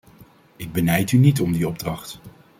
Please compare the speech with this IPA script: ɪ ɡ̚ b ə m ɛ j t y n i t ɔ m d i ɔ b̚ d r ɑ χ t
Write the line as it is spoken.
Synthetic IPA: ɪ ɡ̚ b ə n ɛ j t y n i t ɔ m d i ɔ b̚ d r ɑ χ t